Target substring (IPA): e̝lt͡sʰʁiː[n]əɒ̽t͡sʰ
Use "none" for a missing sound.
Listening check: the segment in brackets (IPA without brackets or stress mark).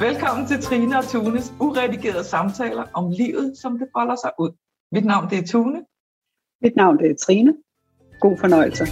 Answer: n